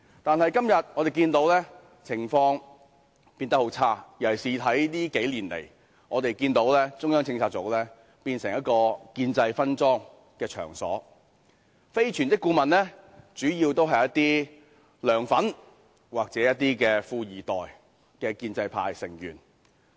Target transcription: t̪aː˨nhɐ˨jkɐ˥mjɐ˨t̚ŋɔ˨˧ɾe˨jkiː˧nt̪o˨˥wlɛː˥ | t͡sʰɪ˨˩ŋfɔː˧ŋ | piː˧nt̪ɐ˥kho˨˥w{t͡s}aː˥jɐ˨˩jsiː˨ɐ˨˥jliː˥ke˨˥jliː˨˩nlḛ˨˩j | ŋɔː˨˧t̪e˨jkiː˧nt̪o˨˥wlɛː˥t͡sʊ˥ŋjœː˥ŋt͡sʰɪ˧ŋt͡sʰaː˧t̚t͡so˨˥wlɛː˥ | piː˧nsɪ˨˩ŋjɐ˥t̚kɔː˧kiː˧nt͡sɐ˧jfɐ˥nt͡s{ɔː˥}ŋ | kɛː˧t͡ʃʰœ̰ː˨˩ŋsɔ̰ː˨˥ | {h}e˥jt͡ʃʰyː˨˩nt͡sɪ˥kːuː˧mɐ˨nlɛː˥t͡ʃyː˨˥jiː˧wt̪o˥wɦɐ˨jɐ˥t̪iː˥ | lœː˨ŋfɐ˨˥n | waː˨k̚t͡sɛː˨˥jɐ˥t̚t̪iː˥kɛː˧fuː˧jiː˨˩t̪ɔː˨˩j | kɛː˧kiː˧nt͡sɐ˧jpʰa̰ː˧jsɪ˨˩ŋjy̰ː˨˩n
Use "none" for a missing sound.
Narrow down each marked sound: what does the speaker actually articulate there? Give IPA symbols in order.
t͡sʰ, ɔː˥, f

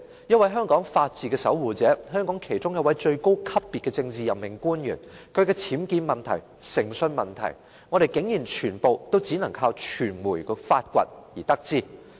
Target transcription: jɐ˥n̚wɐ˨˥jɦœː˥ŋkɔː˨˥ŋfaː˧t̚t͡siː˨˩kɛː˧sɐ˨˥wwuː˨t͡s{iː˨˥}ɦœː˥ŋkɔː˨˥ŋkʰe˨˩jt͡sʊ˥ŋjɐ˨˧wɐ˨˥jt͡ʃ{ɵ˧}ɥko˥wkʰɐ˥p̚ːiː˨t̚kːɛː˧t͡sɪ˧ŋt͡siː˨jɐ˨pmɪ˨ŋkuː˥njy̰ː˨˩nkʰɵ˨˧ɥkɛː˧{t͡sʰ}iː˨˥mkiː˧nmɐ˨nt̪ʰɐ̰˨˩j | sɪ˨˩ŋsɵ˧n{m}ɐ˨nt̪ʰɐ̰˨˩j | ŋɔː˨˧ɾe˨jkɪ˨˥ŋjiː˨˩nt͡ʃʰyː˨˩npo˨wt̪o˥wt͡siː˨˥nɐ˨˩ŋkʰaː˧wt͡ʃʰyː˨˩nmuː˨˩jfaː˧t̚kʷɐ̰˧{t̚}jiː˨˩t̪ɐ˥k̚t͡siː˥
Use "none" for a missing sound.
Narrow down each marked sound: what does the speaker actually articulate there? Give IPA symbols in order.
ɛː˨˥, ɵ˧, t͡sʰ, m, t̚

